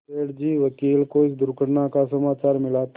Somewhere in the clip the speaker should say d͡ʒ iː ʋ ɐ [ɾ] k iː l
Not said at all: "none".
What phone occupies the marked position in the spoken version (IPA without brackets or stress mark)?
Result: none